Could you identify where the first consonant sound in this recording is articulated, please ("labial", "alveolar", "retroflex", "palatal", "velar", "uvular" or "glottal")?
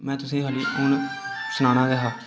labial